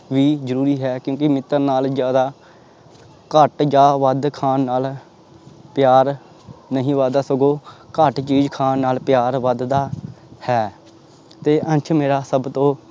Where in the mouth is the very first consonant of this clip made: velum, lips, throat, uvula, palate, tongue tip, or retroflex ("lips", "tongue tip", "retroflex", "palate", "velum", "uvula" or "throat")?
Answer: lips